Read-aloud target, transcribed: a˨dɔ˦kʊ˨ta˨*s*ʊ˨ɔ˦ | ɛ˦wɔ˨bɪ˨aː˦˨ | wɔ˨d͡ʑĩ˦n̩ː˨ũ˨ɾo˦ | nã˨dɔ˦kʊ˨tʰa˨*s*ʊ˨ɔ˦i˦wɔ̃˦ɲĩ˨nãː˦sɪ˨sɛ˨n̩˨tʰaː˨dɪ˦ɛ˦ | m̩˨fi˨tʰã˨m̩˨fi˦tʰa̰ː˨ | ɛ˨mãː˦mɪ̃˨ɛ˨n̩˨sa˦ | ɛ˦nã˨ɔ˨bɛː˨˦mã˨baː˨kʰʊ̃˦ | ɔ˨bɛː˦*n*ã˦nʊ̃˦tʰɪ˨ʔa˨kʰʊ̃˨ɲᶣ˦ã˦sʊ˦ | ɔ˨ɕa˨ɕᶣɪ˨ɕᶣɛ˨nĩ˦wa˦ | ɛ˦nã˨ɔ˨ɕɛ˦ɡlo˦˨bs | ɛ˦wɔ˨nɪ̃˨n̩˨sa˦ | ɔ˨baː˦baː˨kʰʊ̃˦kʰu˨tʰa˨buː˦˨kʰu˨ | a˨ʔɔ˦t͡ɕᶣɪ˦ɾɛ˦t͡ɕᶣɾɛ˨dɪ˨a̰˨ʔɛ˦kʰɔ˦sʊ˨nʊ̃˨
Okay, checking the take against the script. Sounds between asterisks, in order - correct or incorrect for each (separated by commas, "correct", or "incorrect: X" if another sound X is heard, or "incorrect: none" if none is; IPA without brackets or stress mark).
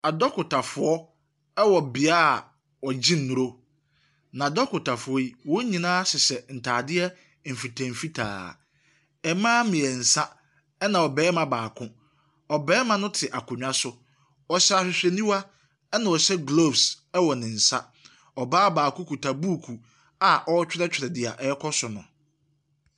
incorrect: f, incorrect: f, incorrect: m